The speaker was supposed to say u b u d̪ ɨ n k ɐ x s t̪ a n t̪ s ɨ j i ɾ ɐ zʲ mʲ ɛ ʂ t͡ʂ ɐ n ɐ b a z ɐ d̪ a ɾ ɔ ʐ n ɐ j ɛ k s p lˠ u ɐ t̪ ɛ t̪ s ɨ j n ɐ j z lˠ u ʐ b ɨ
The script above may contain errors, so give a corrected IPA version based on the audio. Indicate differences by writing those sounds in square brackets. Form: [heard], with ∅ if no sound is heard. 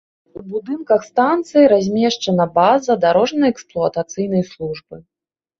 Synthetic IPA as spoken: u b u d̪ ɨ n k ɐ x s t̪ a n t̪ s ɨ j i ɾ [a] zʲ mʲ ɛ ʂ t͡ʂ ɐ n ɐ b a z ɐ d̪ a ɾ ɔ ʐ n ɐ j ɛ k s p lˠ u ɐ t̪ [a] t̪ s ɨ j n ɐ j [s] lˠ u ʐ b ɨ